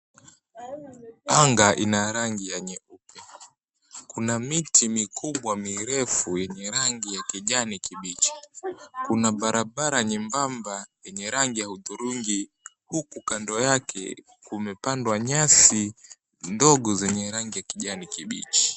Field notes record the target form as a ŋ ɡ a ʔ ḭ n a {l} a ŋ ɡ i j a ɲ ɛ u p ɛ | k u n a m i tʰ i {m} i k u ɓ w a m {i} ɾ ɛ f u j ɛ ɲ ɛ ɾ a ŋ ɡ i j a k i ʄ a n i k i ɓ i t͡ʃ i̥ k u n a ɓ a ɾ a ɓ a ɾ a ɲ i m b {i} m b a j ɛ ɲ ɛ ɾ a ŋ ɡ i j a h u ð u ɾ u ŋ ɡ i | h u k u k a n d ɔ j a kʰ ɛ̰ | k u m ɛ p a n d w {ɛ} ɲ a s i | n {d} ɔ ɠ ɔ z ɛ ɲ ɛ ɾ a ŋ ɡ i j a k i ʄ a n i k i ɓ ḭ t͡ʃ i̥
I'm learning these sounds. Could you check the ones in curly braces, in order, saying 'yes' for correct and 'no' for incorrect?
no, yes, yes, no, no, yes

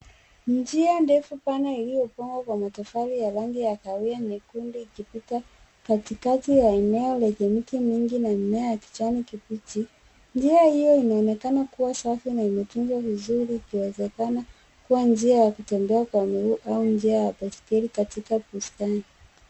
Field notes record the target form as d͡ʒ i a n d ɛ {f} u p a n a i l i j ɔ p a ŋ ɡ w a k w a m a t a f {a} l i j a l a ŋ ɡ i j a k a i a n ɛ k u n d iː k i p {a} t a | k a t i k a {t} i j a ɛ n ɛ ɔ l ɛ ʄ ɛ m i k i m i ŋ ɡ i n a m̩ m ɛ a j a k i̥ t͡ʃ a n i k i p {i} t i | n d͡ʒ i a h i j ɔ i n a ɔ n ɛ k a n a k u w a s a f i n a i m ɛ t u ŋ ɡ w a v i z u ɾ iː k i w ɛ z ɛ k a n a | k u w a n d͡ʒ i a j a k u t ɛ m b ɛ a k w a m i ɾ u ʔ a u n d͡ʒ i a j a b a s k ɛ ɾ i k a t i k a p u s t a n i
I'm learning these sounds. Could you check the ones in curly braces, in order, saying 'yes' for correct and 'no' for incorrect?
yes, yes, no, yes, yes

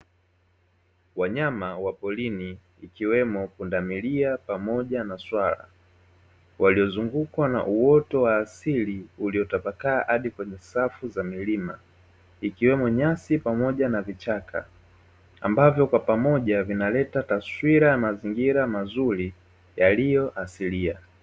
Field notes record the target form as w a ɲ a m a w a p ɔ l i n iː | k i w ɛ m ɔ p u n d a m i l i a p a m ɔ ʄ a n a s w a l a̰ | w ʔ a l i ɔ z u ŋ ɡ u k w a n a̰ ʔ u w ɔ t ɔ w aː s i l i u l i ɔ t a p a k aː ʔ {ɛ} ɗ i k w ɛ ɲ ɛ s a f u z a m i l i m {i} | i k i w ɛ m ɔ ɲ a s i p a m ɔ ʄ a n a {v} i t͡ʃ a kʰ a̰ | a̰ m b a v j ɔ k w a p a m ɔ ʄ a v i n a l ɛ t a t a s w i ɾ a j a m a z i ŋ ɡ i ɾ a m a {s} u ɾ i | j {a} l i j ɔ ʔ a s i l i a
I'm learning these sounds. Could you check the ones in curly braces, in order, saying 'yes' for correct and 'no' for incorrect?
no, no, yes, no, yes

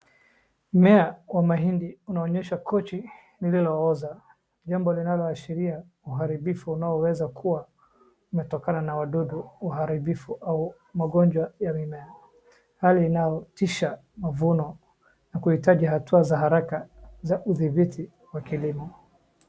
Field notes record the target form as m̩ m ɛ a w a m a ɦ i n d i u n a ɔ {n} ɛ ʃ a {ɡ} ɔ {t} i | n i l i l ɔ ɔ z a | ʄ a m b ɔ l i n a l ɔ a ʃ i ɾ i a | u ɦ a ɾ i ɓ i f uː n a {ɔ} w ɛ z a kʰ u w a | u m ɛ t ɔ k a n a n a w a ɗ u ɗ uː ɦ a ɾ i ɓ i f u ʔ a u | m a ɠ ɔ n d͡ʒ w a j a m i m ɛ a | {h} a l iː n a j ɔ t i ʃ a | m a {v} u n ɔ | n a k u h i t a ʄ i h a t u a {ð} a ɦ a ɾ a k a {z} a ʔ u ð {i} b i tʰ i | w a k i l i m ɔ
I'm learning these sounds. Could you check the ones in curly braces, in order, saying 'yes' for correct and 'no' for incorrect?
no, no, no, yes, yes, yes, no, yes, yes

